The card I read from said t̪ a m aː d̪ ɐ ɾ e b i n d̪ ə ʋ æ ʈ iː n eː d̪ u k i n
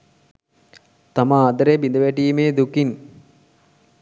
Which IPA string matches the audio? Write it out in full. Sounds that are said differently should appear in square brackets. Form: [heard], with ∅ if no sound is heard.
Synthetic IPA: t̪ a m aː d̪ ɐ ɾ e b i n d̪ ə ʋ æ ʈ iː [m] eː d̪ u k i n

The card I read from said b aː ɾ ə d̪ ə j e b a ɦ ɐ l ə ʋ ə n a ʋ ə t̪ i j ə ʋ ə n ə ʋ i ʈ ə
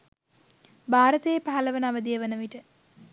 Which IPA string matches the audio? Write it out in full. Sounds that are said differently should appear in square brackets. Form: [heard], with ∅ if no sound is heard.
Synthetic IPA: b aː ɾ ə [t̪] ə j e [p] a ɦ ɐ l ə ʋ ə n a ʋ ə [d̪] i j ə ʋ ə n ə ʋ i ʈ ə

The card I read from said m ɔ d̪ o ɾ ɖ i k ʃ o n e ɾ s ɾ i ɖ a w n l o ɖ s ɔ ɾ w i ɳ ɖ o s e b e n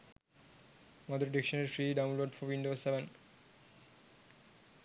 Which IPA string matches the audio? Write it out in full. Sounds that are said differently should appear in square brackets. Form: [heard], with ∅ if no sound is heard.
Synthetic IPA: m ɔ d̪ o ɾ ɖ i k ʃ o n e ɾ [f] ɾ i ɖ a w n l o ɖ [f] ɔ ɾ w i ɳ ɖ o s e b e n

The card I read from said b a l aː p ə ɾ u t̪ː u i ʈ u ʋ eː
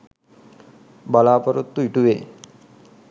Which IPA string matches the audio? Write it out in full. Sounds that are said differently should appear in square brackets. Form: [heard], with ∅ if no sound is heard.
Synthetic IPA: b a l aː p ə ɾ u t̪ː u i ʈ u ʋ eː

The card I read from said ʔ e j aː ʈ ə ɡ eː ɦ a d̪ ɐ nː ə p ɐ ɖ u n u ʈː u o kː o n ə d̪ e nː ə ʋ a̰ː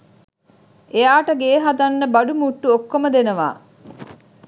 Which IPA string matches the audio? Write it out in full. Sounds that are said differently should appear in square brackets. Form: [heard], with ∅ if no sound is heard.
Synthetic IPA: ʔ e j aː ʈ ə ɡ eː ɦ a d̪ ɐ nː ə [b] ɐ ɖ u [m] u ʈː u o kː o [m] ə d̪ e [n] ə ʋ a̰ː

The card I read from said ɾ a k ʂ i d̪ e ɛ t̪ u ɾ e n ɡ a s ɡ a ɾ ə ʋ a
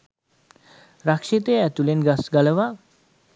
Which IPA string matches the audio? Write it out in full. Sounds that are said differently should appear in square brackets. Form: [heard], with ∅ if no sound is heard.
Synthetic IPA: ɾ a k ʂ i [t̪] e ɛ t̪ u [l] e n ɡ a s ɡ a [l] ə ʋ a

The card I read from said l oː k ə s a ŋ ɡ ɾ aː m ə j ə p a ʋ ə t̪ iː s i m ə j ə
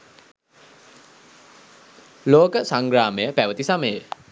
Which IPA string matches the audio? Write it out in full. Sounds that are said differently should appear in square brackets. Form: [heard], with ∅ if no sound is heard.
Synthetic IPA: l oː k ə s a ŋ ɡ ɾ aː m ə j ə p [æ] ʋ ə t̪ [i] s [a] m ə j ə

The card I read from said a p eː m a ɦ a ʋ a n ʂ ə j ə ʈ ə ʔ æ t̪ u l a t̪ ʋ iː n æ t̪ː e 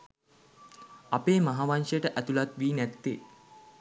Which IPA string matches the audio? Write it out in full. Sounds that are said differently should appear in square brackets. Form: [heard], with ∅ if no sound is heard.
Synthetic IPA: a p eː m a ɦ a ʋ a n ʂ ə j ə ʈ ə ʔ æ t̪ u l a t̪ ʋ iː n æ t̪ː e

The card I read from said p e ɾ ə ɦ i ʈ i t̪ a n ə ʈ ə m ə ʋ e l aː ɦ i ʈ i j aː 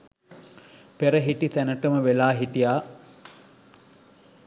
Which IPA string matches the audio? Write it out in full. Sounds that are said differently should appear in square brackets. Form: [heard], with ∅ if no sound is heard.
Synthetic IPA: p e ɾ ə ɦ i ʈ i t̪ [æ] n ə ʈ ə m ə ʋ e l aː ɦ i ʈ i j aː

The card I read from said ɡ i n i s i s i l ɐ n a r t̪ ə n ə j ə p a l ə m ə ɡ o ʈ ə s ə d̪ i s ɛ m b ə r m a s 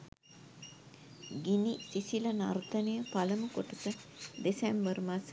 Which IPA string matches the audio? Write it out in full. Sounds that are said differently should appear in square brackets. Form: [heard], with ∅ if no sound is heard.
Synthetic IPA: ɡ i n i s i s i l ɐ n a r t̪ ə n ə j ə p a l ə m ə [k] o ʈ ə s ə d̪ [e] s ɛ m b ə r m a s

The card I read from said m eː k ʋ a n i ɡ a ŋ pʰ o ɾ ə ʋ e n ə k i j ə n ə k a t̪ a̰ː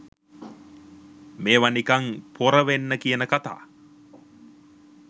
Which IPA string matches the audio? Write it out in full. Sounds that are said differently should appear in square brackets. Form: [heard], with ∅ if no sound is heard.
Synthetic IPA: m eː [∅] ʋ a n i [k] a ŋ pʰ o ɾ ə ʋ e [nː] ə k i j ə n ə k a t̪ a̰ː

